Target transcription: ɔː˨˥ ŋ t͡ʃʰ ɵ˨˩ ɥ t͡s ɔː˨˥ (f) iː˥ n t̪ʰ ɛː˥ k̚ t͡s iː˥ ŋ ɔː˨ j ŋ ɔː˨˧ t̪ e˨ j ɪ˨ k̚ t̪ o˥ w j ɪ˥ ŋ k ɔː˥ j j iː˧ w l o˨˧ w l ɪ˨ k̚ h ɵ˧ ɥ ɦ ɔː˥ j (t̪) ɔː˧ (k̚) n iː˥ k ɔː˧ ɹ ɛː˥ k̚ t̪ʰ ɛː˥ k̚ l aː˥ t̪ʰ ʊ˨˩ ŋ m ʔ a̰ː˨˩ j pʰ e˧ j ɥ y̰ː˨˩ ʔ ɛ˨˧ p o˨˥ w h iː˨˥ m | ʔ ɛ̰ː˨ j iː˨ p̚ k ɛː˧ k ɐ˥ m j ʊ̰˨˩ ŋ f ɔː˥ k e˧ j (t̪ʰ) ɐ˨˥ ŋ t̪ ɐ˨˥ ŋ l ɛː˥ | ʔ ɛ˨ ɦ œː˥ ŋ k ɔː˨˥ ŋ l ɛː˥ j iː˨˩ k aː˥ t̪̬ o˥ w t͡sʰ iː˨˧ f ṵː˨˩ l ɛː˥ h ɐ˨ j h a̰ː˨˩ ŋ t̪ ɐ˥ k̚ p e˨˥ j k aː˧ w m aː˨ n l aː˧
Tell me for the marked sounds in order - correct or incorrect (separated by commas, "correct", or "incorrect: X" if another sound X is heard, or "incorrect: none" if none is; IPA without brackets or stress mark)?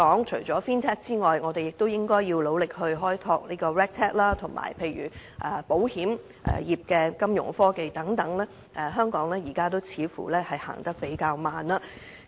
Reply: correct, incorrect: t̪ʰ, correct, incorrect: t̪